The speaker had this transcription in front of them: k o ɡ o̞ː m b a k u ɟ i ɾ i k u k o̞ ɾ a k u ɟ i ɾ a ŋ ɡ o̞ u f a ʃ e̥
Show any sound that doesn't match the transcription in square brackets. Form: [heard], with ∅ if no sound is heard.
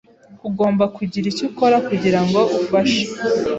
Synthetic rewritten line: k [u] ɡ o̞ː m b a k u ɟ i ɾ i [c] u k o̞ ɾ a k u ɟ i ɾ a ŋ ɡ o̞ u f a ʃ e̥